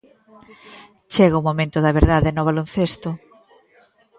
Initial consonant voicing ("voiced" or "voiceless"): voiceless